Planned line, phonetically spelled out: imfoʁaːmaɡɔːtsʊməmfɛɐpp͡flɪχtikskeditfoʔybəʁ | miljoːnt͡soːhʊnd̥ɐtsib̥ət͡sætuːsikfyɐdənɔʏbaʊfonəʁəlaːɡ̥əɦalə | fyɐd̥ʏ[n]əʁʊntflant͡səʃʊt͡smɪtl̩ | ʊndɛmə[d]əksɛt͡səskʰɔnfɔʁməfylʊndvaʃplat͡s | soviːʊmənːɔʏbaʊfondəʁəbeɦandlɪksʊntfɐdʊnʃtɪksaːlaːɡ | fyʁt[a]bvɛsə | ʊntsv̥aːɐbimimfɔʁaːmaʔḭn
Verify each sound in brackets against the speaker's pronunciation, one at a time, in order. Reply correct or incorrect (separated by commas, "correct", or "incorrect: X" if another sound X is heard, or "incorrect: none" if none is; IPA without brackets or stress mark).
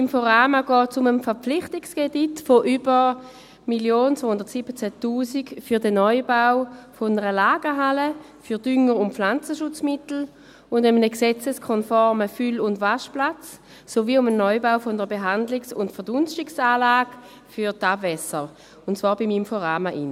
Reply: incorrect: ŋ, incorrect: n, correct